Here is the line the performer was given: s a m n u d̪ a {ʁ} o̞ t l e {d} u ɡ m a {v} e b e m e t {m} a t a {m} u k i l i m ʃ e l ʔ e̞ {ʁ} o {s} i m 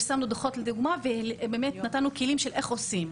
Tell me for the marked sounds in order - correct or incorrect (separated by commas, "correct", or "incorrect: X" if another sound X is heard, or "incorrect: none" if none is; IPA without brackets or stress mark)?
incorrect: χ, correct, correct, incorrect: n, incorrect: n, incorrect: χ, correct